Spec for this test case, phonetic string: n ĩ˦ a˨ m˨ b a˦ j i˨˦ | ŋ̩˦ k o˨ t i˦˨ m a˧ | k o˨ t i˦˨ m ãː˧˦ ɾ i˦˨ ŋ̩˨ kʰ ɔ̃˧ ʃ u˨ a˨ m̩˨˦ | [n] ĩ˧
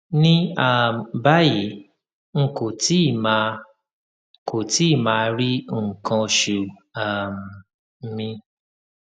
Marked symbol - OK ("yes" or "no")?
no